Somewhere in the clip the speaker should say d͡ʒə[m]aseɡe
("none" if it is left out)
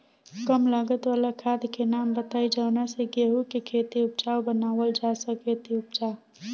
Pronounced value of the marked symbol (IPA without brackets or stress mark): n